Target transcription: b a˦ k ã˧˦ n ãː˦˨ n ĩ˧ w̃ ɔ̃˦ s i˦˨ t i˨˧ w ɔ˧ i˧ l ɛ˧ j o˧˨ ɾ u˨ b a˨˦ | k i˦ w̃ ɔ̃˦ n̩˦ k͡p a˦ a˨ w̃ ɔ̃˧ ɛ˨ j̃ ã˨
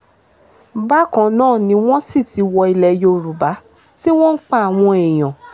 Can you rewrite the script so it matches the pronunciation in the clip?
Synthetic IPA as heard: b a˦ k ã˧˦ n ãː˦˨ n ĩ˧ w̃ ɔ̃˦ s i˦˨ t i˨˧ w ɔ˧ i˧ l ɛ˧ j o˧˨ ɾ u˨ b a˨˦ | t i˦ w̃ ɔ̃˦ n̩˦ k͡p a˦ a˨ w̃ ɔ̃˧ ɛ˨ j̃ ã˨

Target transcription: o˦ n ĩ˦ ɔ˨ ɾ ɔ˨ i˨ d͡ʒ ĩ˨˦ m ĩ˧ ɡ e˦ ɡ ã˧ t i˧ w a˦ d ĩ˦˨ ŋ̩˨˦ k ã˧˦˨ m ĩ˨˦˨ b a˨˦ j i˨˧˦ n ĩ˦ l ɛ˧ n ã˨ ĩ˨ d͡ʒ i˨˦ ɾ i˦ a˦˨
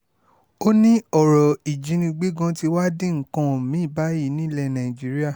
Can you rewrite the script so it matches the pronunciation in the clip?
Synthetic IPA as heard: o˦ n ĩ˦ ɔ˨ ɾ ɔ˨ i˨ d͡ʒ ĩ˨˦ n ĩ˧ ɡ͡b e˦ ɡ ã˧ t i˧ w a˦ d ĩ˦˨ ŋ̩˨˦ k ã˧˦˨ m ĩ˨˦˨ b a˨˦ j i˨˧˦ n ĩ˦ l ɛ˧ n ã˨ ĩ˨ d͡ʒ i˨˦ ɾ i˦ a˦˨

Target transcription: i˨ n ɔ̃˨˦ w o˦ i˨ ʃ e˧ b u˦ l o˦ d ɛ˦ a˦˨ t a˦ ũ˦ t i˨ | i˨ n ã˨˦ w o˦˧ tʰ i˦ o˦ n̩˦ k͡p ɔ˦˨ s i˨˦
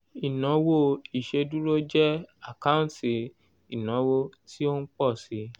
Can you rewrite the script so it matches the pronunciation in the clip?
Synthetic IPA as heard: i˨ n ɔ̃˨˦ w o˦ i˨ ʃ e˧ d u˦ ɾ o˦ d͡ʒ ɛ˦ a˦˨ k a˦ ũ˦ t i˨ | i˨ n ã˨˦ w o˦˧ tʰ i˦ o˦ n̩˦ k͡p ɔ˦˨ s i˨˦

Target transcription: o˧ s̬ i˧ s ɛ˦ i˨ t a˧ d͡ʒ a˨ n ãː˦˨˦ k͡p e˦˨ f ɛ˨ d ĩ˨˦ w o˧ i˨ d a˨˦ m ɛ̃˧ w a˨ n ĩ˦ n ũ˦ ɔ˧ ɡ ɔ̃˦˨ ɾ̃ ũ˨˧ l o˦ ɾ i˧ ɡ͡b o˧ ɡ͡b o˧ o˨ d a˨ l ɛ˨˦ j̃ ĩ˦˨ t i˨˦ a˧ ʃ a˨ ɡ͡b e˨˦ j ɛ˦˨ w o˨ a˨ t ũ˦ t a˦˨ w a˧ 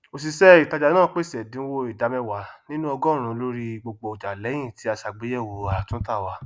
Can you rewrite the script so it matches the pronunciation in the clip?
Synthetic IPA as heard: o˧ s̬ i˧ s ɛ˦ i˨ t a˧ d͡ʒ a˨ n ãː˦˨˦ k͡p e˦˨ s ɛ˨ d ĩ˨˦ w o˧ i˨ d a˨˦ m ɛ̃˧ w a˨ n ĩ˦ n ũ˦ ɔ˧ ɡ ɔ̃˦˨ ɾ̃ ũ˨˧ l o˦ ɾ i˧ ɡ͡b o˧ ɡ͡b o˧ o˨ d͡ʒ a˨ l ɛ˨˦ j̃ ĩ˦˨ t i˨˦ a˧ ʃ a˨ ɡ͡b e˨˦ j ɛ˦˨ w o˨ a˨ t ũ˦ t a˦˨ w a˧

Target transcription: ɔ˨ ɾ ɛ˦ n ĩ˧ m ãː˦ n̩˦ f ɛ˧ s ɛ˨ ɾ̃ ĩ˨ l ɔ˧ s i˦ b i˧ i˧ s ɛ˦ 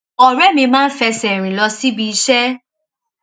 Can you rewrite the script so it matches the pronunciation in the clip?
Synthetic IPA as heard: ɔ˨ ɾ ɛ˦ m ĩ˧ m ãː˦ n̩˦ f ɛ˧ s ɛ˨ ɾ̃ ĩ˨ l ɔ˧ s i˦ b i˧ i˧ ʃ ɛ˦

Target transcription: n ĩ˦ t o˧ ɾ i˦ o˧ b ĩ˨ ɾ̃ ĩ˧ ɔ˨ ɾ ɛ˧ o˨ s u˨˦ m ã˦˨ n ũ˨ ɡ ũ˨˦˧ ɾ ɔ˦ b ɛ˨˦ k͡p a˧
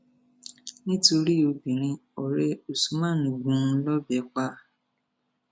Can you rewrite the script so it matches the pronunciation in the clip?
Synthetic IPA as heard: n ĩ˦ t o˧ ɾ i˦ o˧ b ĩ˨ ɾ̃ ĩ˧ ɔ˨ ɾ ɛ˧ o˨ s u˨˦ m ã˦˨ n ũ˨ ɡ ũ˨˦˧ l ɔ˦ b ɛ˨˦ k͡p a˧

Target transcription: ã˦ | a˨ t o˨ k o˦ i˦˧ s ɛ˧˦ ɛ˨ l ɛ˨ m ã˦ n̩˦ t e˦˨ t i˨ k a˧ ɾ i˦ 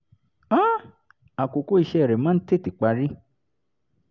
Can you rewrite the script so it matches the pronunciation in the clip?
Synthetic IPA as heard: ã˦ | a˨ k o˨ k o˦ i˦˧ ʃ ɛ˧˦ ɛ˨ ɾ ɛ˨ m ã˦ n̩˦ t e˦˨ t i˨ k͡p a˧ ɾ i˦

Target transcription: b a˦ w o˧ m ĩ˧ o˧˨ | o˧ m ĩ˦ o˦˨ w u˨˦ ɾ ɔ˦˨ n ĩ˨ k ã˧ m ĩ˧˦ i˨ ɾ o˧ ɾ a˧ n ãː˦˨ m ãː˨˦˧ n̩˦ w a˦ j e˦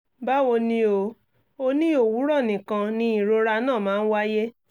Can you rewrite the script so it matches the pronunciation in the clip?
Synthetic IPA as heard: b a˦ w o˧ n ĩ˧ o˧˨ | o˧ n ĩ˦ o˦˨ w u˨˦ ɾ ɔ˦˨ n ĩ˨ k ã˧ n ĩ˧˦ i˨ ɾ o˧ ɾ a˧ n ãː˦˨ m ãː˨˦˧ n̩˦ w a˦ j e˦

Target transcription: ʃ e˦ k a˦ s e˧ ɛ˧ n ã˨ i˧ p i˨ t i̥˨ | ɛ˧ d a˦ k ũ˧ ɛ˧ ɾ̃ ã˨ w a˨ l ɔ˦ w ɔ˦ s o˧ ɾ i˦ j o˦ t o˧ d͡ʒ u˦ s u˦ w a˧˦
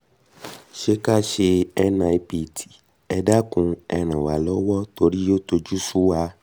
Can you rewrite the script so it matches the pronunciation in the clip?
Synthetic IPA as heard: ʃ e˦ k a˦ ʃ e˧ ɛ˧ n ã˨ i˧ p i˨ t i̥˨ | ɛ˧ d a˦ k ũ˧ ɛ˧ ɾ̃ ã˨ w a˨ l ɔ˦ w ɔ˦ t o˧ ɾ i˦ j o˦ t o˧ d͡ʒ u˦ s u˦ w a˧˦

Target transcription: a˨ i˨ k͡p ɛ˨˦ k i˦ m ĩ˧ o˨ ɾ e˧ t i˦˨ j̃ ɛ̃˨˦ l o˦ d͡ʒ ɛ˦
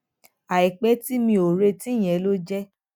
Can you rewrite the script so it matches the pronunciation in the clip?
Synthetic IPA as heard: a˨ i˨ k͡p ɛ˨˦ t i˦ m ĩ˧ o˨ ɾ e˧ t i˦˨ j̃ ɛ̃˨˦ l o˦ d͡ʒ ɛ˦

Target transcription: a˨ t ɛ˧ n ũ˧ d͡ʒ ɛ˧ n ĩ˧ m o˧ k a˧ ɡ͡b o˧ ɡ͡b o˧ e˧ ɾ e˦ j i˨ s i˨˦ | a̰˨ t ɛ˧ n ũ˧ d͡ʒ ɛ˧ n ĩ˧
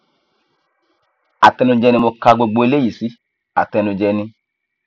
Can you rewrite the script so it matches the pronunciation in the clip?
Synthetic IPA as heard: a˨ t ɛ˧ n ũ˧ d͡ʒ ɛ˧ n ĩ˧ m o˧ k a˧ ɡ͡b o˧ ɡ͡b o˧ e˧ l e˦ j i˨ s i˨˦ | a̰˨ t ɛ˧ n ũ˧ d͡ʒ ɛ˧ n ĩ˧

